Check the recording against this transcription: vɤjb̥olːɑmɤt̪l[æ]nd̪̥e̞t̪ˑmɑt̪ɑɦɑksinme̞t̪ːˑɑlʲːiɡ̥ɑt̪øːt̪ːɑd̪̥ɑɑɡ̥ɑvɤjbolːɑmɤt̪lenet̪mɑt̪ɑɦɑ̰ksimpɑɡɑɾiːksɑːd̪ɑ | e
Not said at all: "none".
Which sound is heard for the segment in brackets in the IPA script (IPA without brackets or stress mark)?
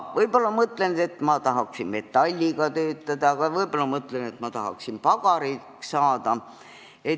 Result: e